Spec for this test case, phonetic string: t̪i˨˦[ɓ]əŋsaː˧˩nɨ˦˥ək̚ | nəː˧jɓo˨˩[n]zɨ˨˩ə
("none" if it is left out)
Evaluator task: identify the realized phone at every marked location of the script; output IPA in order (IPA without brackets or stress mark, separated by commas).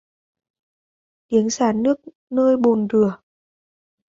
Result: none, n